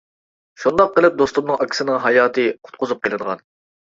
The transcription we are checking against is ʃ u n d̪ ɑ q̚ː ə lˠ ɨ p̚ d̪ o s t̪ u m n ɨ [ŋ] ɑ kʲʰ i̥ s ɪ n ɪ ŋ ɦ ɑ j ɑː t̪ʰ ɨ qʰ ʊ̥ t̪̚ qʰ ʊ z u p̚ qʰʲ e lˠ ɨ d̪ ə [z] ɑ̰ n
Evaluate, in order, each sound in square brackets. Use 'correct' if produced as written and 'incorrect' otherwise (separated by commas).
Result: correct, incorrect